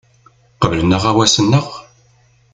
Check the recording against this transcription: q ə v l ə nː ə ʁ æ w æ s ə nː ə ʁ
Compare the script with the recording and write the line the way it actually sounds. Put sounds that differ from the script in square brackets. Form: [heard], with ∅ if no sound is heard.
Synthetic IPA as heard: q ə v l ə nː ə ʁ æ w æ s ə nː ə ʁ